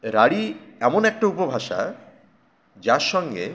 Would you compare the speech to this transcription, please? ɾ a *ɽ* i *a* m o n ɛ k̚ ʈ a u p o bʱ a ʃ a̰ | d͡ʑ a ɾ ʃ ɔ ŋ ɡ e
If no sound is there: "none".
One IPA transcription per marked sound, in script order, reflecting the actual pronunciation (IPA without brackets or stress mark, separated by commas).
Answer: ɽ, ɛ